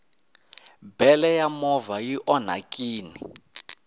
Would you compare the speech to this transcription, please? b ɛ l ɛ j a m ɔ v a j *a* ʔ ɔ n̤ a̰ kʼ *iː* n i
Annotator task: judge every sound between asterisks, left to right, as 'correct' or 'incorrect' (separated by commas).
incorrect, correct